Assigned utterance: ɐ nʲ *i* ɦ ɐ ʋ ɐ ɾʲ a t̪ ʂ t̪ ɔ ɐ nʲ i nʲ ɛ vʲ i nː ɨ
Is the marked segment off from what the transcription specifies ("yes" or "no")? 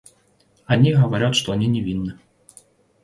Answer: no